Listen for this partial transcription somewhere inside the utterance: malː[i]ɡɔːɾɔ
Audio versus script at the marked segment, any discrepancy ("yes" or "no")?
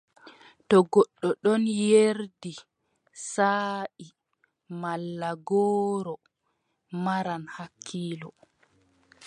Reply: yes